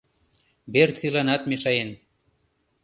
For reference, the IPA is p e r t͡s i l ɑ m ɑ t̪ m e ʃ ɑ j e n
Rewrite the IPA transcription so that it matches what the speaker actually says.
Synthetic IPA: b e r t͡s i l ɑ n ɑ t̪ m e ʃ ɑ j e n